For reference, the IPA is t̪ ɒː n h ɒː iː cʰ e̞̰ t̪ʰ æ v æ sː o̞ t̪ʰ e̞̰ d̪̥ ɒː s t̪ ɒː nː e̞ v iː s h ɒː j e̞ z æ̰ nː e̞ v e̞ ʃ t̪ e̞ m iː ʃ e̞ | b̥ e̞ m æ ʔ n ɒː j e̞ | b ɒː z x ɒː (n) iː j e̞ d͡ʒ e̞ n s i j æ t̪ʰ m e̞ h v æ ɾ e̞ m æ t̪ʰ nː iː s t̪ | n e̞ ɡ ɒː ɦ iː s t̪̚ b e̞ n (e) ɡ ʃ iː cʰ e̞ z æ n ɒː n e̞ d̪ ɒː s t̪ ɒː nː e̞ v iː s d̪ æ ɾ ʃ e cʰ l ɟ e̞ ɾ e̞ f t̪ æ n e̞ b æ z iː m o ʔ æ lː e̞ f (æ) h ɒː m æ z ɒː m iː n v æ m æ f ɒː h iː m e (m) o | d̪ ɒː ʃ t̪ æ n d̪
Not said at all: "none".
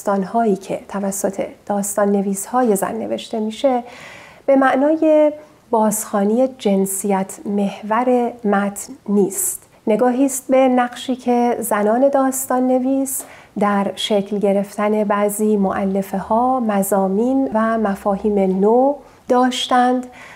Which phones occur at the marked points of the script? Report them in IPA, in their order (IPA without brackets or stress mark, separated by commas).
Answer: n, æ, e, n